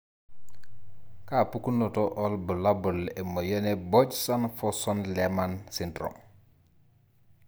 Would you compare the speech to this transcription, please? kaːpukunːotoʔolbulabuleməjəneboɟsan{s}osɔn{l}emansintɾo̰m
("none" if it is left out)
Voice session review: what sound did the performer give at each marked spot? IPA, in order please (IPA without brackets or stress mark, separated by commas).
f, l